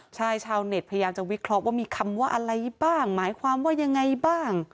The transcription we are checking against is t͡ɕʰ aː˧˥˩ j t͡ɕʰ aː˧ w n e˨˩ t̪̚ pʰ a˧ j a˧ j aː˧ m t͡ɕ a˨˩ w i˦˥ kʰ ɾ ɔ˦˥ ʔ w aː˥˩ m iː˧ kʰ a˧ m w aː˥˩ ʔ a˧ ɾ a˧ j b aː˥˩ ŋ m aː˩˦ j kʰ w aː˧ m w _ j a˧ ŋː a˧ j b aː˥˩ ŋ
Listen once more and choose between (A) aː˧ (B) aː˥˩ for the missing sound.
B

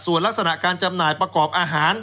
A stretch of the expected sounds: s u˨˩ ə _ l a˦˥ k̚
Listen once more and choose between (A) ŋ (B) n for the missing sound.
B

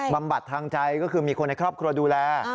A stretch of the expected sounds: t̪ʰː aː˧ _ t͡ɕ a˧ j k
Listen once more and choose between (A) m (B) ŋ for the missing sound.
B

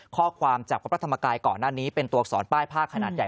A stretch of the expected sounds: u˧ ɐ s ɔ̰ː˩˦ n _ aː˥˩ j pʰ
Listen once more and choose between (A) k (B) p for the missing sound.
B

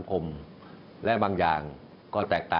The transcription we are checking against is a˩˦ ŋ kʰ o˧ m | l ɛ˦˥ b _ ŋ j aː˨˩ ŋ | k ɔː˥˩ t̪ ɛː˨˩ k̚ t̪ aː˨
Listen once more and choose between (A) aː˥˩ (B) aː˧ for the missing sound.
B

